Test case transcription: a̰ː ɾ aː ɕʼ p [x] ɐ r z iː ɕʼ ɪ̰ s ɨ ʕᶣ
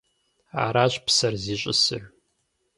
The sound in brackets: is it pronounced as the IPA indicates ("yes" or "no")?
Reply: no